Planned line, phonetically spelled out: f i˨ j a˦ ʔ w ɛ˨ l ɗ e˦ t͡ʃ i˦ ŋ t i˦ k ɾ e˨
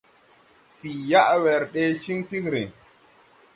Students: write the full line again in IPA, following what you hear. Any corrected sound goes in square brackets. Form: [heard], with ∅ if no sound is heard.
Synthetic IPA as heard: f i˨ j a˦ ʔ w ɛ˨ [ɾ] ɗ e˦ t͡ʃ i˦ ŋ t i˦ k ɾ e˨